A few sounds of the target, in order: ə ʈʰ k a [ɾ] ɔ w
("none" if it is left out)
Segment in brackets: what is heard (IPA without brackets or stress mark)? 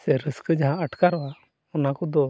ɾ